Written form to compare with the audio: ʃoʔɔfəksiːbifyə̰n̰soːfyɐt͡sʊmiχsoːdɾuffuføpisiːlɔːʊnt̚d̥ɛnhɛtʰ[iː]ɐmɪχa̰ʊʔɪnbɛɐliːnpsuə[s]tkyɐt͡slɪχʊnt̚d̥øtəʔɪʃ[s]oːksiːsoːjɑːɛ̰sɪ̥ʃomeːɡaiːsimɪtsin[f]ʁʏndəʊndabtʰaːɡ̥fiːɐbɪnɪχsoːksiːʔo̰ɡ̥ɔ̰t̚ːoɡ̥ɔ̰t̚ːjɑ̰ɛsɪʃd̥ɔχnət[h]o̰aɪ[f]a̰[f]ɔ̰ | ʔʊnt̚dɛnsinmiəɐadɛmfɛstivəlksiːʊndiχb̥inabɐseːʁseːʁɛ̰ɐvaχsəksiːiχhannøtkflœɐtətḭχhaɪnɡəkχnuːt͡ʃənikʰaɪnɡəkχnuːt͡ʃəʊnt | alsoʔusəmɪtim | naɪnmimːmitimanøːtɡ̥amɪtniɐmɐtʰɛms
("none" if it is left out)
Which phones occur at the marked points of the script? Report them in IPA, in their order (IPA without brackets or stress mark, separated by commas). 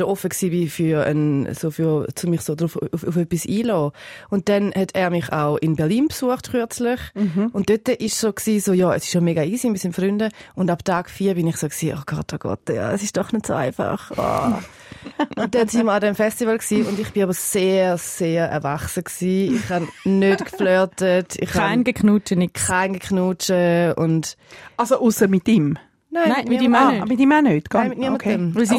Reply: ɛː, χ, s, f, s, f, χ